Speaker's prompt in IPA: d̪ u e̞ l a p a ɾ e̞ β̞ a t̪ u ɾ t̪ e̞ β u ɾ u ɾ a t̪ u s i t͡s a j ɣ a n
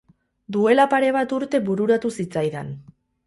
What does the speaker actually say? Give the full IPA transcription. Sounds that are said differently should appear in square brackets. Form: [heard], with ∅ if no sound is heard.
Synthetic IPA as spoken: d̪ u e̞ l a p a ɾ e̞ β̞ a t̪ u ɾ t̪ e̞ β u ɾ u ɾ a t̪ u s i t͡s a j [ð] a n